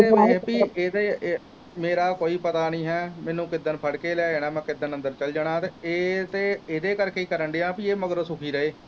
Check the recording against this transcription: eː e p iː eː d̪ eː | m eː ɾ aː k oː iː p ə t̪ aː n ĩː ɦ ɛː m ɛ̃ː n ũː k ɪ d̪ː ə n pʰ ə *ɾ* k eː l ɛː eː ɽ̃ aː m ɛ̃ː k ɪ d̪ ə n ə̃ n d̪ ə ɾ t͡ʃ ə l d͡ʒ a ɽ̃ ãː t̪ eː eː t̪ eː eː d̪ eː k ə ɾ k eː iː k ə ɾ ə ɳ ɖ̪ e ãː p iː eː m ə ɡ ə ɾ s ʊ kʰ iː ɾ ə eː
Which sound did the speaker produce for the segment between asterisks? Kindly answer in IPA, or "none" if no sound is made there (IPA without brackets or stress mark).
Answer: ɽ